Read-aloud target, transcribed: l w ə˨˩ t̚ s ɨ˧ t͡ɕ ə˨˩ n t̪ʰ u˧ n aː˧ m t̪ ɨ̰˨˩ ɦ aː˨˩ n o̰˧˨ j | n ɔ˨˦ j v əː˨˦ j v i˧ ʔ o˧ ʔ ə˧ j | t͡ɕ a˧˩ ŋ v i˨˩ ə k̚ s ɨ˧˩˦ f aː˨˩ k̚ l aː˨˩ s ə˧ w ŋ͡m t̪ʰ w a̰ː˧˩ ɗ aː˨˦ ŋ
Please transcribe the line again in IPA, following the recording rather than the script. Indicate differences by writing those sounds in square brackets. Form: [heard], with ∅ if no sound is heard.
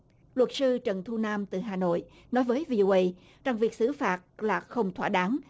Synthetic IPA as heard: l w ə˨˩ t̚ s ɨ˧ t͡ɕ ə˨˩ n t̪ʰ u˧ n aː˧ m t̪ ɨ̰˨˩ ɦ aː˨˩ n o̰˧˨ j | n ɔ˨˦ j v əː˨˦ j v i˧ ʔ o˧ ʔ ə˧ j | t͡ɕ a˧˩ ŋ v i˨˩ ə k̚ s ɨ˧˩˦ f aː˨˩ [t̚] l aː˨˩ [x] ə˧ w ŋ͡m t̪ʰ w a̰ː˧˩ ɗ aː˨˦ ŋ